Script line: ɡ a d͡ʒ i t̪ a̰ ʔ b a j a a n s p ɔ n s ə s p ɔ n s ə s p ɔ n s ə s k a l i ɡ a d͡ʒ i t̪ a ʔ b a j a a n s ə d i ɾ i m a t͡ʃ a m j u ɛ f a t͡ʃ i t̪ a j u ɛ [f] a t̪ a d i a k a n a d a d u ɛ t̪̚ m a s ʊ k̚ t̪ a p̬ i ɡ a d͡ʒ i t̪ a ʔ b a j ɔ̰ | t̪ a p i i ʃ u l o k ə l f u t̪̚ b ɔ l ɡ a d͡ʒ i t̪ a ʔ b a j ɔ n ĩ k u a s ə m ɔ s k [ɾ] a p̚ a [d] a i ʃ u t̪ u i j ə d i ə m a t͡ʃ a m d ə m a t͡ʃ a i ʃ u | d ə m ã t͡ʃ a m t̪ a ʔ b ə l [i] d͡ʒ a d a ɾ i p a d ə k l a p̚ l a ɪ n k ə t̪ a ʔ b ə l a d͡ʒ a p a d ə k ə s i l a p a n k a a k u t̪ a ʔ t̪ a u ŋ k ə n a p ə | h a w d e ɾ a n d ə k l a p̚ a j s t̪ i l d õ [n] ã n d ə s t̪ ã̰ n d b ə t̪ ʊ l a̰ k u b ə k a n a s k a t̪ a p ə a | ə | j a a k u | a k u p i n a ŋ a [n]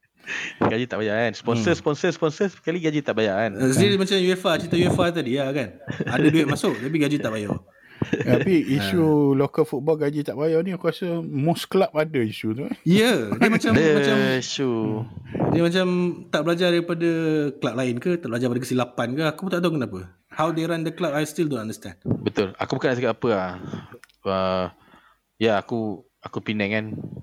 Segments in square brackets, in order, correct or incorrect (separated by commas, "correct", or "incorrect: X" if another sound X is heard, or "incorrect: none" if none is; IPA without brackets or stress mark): correct, incorrect: l, correct, incorrect: a, correct, correct